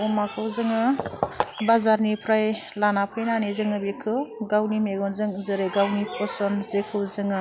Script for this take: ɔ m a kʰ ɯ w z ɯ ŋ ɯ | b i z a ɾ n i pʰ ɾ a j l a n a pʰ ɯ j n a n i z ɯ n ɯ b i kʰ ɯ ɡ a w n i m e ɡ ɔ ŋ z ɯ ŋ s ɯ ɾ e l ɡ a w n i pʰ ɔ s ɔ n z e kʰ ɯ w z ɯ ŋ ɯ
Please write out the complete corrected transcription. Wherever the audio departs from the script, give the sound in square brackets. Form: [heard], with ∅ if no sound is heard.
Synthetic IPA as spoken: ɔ m a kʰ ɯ w z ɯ ŋ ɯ | b [a] z a ɾ n i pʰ ɾ a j l a n a pʰ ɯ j n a n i z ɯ [ŋ] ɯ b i kʰ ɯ ɡ a w n i m e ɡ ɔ [n] z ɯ ŋ [z] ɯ ɾ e [∅] ɡ a w n i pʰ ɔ s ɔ n z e kʰ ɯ w z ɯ ŋ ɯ